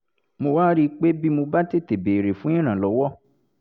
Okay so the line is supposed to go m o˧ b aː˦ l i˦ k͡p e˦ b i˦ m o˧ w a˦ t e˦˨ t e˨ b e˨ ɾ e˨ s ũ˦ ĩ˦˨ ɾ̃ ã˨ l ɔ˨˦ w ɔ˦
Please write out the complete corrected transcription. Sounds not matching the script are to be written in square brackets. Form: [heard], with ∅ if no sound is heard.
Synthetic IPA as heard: m o˧ [w] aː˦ [ɾ] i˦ k͡p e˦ b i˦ m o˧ [b] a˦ t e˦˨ t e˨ b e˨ ɾ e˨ [f] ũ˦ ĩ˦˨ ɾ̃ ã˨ l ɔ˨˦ w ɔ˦